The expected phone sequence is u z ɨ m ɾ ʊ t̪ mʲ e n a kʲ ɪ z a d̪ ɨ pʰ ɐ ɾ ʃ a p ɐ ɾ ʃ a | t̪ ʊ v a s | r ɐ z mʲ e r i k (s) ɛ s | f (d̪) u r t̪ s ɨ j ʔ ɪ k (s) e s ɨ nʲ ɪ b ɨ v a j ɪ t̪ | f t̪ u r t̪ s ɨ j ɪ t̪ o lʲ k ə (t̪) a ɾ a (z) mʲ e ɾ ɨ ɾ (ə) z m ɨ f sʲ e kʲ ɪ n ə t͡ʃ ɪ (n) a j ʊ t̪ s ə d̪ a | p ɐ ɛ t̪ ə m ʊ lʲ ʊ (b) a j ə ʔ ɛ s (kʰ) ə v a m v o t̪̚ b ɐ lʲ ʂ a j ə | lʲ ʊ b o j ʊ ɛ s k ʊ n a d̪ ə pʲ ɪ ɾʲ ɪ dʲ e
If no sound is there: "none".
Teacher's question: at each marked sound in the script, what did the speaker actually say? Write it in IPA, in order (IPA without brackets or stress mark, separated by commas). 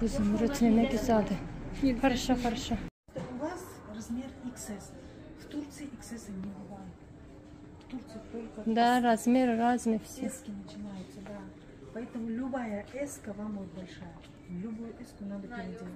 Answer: s, t̪, s, d̪, z, a, n, b, k